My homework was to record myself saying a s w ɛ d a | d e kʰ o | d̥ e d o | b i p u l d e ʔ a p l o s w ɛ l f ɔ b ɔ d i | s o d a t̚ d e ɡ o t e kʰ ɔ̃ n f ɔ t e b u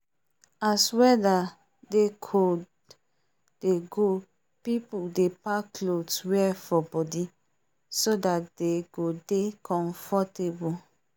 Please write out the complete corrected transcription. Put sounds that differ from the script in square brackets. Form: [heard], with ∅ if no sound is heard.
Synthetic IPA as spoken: a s w ɛ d a | d e kʰ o | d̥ e [ɡ] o | [p] i p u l d e [p] a [k] l o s w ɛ [∅] f ɔ b ɔ d i | s o d a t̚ d e ɡ o [d] e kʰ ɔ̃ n f ɔ t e b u